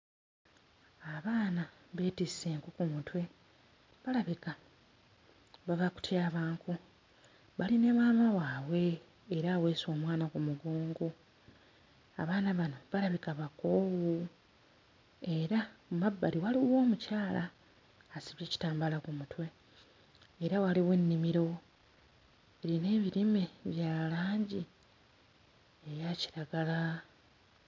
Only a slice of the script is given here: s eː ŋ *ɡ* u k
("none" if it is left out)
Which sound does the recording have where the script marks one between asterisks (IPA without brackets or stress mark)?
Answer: k